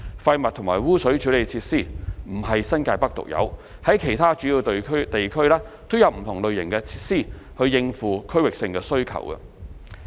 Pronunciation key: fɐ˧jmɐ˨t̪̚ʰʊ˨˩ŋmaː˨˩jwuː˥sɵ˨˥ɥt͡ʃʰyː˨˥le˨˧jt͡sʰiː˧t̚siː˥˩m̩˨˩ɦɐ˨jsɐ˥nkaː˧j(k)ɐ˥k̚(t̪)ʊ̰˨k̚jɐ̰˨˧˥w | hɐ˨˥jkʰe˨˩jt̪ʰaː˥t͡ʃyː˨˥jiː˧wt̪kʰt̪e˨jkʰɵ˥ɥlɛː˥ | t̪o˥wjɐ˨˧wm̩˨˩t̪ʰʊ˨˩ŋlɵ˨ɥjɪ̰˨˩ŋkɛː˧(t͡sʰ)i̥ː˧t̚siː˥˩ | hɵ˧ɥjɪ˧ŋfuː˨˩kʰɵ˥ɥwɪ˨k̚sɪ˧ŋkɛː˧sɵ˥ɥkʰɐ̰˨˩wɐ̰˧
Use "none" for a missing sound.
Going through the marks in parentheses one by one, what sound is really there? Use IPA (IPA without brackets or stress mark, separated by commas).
p, t̪, t͡sʰ